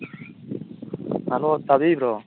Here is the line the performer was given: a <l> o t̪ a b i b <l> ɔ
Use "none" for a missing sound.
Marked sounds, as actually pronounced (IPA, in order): l, ɾ

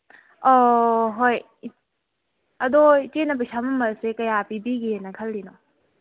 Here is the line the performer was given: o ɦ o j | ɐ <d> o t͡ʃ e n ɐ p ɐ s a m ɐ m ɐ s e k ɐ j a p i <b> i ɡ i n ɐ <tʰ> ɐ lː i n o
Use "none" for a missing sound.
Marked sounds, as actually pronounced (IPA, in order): d, b, kʰ

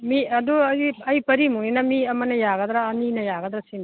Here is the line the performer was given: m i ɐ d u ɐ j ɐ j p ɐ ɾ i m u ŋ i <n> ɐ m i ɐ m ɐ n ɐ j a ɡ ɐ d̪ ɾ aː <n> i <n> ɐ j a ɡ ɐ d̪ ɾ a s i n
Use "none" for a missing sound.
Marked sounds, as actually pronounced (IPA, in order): n, n, n

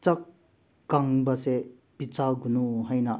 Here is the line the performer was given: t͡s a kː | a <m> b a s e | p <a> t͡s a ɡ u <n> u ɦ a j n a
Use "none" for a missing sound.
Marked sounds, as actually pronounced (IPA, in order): ŋ, i, n

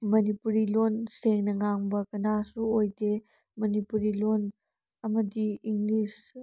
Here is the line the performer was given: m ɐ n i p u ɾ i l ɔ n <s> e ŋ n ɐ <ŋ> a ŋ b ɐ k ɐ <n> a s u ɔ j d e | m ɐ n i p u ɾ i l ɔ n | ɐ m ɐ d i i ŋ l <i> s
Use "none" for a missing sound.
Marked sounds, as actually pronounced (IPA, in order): s, ŋ, n, i

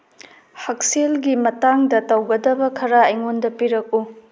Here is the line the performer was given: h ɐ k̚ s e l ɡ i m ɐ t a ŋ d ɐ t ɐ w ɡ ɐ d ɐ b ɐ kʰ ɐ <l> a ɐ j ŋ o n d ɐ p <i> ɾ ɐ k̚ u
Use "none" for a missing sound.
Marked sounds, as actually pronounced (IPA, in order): ɾ, i

